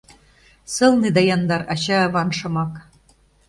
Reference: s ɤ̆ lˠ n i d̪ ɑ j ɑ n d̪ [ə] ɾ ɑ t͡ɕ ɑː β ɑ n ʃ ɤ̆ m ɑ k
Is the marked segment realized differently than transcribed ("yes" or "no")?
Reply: yes